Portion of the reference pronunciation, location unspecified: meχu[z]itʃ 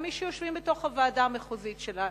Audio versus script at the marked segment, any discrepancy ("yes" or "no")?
no